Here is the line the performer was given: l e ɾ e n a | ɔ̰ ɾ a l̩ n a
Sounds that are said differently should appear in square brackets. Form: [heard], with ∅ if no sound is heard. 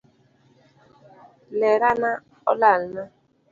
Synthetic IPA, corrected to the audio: l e ɾ [a] n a | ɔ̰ [l] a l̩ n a